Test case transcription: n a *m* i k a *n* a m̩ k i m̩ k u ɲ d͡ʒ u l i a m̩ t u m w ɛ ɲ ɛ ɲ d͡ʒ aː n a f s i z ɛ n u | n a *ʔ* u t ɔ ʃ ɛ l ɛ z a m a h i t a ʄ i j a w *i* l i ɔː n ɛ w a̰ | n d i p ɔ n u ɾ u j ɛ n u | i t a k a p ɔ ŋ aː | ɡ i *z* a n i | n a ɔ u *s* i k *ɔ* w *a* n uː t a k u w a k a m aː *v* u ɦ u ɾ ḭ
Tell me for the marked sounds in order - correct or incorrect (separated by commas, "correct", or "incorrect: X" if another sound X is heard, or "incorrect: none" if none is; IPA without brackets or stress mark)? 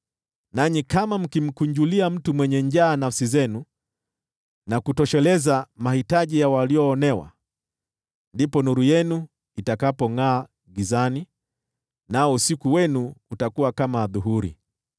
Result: incorrect: ɲ, incorrect: m, incorrect: k, incorrect: a, correct, correct, incorrect: u, incorrect: ɛ, incorrect: ð